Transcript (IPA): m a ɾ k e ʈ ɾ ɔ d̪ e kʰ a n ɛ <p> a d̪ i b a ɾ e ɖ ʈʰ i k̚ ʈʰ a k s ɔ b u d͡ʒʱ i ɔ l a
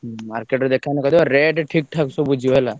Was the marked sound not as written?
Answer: yes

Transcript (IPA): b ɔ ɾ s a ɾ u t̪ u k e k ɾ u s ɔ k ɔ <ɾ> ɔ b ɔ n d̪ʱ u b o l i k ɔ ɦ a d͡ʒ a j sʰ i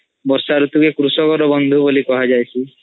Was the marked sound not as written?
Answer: no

